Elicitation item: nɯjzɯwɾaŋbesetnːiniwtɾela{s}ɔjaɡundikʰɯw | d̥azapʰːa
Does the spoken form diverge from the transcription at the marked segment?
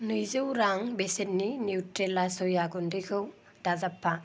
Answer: no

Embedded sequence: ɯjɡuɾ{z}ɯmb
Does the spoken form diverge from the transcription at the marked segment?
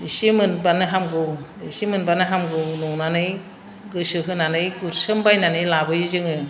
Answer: yes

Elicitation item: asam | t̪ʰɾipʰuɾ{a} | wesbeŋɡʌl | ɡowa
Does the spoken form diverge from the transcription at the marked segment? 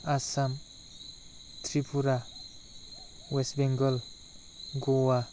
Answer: no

